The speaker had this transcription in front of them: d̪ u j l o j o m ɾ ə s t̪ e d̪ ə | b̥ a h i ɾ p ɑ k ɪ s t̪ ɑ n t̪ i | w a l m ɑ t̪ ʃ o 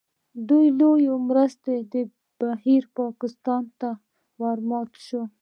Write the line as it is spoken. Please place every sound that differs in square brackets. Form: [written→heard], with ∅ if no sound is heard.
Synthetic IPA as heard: d̪ u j l o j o m ɾ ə s t̪ e d̪ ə | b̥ a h i ɾ p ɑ k ɪ s t̪ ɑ n t̪ [i→a] | w a [l→ɾ] m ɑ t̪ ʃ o